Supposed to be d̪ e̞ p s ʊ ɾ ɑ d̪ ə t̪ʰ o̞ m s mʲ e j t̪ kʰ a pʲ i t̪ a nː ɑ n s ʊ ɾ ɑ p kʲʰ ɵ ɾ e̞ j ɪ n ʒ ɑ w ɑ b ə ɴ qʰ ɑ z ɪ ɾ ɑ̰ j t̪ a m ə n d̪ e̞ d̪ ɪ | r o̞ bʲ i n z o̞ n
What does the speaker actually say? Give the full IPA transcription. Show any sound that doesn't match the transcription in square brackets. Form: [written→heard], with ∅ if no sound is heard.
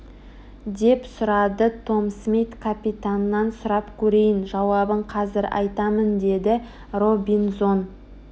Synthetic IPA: d̪ e̞ p s ʊ ɾ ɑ d̪ ə t̪ʰ o̞ m s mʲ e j t̪ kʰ a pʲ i t̪ a nː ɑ n s ʊ ɾ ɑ p kʲʰ ɵ ɾ e̞ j ɪ n ʒ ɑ w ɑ b ə ɴ qʰ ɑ z ɪ ɾ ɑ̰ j t̪ [a→ɑ] m ə n d̪ e̞ d̪ ɪ | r o̞ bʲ i n z o̞ n